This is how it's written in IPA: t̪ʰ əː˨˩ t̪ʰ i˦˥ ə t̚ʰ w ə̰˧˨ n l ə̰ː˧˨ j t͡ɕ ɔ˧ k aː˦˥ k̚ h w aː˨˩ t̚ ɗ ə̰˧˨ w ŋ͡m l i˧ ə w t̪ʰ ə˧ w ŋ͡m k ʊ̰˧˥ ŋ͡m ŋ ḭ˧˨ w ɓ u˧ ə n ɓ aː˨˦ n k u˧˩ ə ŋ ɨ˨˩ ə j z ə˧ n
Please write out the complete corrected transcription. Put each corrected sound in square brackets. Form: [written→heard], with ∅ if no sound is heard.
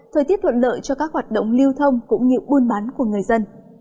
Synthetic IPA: t̪ʰ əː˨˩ [t̪ʰ→t̪] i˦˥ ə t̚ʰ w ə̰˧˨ n l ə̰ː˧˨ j t͡ɕ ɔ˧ k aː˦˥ k̚ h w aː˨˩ t̚ ɗ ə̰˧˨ w ŋ͡m l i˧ ə w t̪ʰ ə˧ w ŋ͡m k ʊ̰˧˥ ŋ͡m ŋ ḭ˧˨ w ɓ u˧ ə n ɓ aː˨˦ n k u˧˩ ə ŋ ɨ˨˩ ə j z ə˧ n